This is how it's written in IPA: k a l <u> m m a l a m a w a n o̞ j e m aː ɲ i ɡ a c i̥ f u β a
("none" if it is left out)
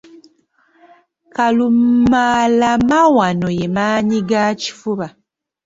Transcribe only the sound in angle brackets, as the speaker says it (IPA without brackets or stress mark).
u